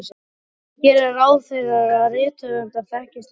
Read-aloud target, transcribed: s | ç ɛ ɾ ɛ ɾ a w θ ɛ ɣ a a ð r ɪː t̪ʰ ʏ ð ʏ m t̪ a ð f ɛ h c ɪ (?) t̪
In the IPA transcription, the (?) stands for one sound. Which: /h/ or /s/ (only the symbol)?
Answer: s